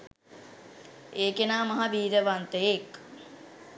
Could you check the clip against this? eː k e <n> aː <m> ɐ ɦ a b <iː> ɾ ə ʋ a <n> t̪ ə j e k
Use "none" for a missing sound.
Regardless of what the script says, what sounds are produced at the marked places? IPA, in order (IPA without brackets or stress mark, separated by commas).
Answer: n, m, iː, n